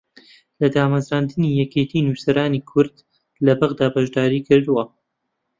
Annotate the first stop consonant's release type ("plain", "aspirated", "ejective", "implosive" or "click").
plain